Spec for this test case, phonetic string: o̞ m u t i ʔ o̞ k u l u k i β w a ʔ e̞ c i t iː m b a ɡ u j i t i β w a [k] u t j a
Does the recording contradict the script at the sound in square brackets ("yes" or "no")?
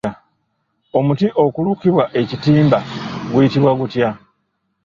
yes